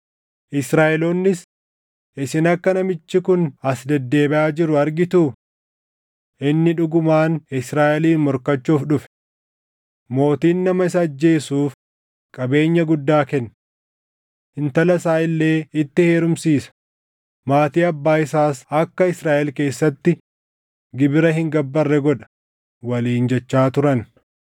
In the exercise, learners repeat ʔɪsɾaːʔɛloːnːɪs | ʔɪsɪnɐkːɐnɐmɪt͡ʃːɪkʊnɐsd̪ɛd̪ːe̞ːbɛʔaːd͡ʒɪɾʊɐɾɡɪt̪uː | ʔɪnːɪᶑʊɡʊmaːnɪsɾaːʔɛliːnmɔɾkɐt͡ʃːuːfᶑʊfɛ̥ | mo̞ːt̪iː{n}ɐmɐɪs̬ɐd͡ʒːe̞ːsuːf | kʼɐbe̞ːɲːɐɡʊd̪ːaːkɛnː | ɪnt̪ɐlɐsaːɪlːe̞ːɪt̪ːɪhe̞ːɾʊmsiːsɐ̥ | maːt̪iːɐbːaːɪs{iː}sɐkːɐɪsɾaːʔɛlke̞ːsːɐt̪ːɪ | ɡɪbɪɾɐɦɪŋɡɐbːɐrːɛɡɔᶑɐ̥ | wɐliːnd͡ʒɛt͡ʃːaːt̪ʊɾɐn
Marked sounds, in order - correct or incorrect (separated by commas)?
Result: incorrect, incorrect